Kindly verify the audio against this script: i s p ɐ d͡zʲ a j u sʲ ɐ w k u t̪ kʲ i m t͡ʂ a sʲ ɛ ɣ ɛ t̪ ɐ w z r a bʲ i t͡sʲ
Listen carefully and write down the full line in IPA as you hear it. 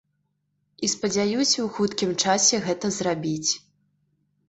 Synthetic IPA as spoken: i s p ɐ d͡zʲ a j u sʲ ɐ w x u t̪ kʲ i m t͡ʂ a sʲ ɛ ɣ ɛ t̪ ɐ z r a bʲ i t͡sʲ